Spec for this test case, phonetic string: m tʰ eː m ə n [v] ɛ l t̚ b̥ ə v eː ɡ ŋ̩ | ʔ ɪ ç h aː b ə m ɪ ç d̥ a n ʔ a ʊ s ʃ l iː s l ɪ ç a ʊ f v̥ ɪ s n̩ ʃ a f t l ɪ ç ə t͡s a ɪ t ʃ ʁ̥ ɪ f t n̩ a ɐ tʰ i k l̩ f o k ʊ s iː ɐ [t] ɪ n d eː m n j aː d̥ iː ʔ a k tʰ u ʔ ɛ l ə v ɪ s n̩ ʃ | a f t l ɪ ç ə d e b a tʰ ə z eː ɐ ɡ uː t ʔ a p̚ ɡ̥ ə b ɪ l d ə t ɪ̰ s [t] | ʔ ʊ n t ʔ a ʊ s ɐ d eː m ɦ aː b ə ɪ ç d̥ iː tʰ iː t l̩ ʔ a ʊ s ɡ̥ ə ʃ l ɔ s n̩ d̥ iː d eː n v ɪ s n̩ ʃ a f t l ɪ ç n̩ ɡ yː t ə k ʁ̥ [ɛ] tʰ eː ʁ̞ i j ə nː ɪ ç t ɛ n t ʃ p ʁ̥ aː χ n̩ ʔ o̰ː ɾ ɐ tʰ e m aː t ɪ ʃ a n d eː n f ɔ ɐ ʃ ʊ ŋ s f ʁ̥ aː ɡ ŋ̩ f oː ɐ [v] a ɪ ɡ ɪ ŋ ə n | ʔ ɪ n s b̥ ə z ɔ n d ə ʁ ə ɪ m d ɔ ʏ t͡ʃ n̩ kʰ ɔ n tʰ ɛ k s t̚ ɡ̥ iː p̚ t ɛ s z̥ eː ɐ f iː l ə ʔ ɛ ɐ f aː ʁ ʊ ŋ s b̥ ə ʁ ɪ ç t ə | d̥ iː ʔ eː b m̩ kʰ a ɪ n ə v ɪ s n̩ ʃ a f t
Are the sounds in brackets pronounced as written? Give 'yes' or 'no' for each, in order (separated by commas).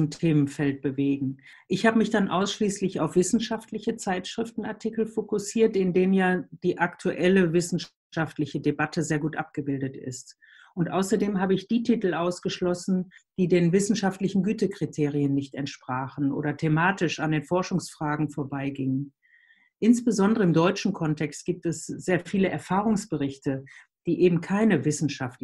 no, yes, yes, no, no